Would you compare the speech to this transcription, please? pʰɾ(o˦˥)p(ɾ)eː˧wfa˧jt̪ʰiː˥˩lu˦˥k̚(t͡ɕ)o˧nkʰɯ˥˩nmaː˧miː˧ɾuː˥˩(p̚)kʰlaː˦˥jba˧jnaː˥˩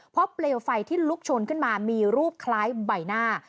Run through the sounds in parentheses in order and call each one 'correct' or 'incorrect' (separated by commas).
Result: incorrect, incorrect, incorrect, correct